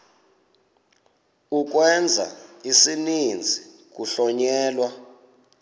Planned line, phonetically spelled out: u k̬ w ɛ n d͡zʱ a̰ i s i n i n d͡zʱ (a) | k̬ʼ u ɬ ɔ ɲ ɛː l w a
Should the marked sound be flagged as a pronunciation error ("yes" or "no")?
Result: yes